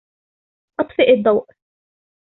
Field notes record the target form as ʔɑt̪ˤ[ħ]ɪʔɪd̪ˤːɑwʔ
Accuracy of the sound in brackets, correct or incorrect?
incorrect